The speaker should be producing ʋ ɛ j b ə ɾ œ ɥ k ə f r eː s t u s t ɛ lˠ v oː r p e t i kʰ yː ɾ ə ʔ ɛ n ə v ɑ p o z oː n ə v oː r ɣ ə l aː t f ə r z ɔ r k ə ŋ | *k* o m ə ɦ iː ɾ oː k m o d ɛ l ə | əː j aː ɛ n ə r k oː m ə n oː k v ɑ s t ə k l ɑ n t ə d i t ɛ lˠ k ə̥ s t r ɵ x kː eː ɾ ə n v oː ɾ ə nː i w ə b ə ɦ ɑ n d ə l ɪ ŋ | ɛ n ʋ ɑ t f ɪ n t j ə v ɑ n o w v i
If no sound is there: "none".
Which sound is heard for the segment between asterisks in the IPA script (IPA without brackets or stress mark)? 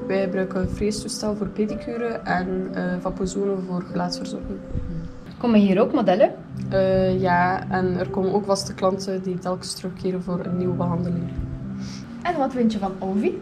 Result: k